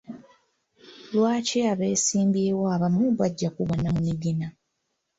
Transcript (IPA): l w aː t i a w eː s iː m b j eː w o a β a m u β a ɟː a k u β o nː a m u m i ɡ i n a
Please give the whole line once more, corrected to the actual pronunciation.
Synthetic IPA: l w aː c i a β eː s iː m b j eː w o a β a m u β a ɟː a k u β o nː a m u m i ɡ i n a